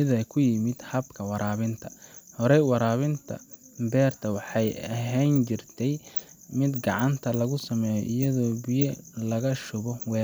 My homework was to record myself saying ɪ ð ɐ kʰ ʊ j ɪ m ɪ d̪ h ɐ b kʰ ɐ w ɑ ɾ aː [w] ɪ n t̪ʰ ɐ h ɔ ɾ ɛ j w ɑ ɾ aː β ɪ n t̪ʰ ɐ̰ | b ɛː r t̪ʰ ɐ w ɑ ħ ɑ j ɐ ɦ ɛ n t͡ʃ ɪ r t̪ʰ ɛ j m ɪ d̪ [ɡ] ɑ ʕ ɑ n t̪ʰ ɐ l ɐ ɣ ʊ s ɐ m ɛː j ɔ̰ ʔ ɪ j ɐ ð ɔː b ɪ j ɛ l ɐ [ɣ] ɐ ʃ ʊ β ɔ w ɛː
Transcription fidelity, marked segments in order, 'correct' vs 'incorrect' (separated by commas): incorrect, correct, correct